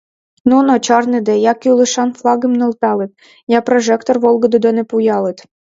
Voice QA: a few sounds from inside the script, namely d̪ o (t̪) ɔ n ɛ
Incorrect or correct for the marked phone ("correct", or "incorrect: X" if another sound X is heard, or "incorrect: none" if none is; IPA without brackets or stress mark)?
incorrect: d̪